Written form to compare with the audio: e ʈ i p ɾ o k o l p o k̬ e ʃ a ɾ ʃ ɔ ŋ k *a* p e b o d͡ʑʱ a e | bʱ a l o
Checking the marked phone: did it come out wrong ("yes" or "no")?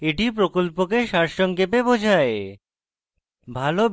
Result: yes